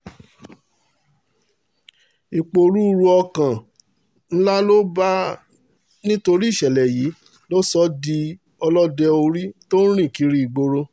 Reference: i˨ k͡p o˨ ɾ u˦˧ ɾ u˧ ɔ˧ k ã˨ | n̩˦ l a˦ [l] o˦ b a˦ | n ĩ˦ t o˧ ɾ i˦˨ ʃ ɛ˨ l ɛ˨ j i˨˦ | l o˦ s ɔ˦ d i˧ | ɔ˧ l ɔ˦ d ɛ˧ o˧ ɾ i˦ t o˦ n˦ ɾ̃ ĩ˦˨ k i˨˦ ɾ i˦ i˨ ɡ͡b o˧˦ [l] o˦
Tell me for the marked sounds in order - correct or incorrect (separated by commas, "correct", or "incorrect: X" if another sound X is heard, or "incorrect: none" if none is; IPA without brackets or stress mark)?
correct, incorrect: ɾ